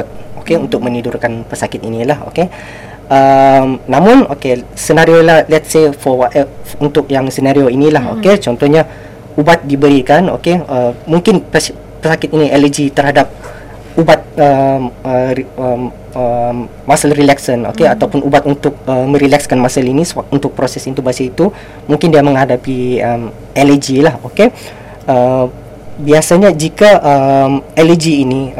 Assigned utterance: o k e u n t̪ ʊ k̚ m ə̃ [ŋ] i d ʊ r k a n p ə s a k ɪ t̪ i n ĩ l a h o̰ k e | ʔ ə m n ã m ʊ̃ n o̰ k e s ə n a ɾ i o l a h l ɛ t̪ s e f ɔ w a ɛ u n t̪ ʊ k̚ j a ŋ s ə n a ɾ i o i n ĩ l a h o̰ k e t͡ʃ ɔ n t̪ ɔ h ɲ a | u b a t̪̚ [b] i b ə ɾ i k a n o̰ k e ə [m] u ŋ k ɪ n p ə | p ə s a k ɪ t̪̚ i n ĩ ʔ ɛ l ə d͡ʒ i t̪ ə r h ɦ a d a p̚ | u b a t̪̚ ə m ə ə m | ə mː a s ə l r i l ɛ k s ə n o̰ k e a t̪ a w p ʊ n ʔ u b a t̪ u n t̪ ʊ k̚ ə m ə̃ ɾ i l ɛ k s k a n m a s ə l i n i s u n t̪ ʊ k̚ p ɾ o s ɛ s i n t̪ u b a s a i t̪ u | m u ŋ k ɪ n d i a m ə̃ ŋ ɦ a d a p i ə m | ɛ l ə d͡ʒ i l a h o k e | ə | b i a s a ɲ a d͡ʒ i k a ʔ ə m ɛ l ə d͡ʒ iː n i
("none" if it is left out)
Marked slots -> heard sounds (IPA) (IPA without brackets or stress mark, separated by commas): n, d, m